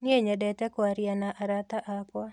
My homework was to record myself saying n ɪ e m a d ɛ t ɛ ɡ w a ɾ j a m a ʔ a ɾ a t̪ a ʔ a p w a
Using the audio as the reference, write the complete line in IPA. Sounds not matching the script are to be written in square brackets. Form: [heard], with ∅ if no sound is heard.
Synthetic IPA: n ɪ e [ɲ] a d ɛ t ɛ [k] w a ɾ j a [n] a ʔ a ɾ a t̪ a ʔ a p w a